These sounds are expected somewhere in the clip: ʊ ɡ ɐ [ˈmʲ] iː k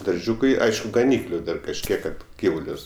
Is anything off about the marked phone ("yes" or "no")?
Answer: yes